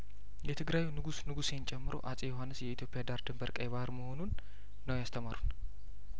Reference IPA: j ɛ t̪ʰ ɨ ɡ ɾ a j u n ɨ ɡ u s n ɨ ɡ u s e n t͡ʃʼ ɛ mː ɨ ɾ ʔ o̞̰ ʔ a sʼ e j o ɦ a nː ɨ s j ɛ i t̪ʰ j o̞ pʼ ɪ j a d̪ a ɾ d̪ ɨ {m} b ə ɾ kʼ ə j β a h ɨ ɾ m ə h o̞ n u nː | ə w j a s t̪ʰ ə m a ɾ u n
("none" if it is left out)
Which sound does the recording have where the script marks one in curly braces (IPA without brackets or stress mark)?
m